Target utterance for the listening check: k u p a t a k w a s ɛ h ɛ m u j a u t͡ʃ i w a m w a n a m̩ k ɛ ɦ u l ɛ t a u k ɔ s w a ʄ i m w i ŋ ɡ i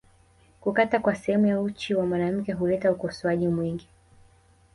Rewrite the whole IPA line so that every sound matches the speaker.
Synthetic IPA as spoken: k u k a t a k w a s ɛ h ɛ m u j a u t͡ʃ i w a m w a n a m̩ k ɛ ɦ u l ɛ t a u k ɔ s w a ʄ i m w i ŋ ɡ i